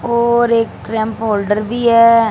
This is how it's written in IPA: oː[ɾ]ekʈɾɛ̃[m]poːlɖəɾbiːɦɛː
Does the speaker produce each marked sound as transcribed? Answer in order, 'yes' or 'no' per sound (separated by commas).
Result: yes, yes